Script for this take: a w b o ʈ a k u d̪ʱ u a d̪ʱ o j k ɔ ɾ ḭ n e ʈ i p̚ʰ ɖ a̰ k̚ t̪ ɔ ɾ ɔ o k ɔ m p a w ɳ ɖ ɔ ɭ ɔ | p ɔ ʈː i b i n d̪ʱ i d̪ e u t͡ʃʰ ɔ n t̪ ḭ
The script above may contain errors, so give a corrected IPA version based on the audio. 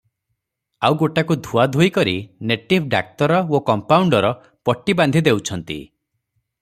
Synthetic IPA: a w ɡ o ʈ a k u d̪ʱ u a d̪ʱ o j k ɔ ɾ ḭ n e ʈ i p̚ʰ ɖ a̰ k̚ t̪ ɔ ɾ ɔ o k ɔ m p a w ɳ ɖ ɔ ɾ ɔ | p ɔ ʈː i b a n d̪ʱ i d̪ e w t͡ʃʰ ɔ n t̪ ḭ